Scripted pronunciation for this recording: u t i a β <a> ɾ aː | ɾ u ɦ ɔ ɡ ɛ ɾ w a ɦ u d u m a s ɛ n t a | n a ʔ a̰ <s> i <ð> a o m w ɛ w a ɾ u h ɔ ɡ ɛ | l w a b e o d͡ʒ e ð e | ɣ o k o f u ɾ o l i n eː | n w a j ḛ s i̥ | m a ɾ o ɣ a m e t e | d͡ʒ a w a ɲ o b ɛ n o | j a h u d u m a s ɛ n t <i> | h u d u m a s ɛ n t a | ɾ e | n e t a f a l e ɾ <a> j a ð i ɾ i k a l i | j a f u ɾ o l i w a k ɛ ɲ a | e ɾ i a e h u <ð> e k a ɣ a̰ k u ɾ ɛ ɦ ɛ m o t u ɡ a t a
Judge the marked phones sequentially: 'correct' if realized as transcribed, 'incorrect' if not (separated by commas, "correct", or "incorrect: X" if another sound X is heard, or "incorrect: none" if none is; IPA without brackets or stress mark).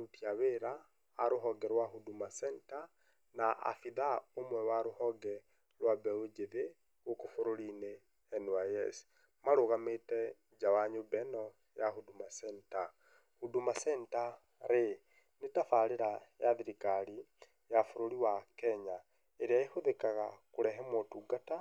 incorrect: e, incorrect: f, correct, incorrect: a, correct, correct